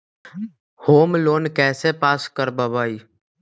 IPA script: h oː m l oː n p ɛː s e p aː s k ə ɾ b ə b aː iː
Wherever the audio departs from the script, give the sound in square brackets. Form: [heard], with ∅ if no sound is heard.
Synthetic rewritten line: h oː m l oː n [k] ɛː s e p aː s k ə ɾ b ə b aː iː